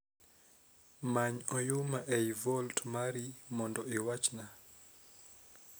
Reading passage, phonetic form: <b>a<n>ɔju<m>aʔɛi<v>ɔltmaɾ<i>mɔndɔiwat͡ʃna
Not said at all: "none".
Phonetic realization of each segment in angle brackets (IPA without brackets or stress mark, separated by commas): m, ɲ, m, v, i